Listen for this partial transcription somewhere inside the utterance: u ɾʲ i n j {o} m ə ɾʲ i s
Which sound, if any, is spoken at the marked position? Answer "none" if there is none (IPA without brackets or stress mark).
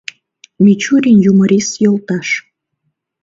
u